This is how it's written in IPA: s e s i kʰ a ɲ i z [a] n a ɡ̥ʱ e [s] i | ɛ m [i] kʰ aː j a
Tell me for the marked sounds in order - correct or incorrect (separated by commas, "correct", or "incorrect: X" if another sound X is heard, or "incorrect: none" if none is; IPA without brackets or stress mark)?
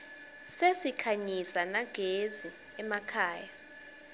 correct, incorrect: z, incorrect: a